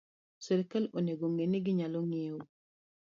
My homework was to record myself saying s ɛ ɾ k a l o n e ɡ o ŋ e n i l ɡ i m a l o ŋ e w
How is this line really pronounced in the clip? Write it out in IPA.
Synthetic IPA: s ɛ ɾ k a l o n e ɡ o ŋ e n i ɡ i ɲ a l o ŋ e w